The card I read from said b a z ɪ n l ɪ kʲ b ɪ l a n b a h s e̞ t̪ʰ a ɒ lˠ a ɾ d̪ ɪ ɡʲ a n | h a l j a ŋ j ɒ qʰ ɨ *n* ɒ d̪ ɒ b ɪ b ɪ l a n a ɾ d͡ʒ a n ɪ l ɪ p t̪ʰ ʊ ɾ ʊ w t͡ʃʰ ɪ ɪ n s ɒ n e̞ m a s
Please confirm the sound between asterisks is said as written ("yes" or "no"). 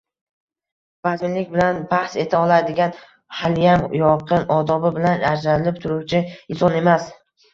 yes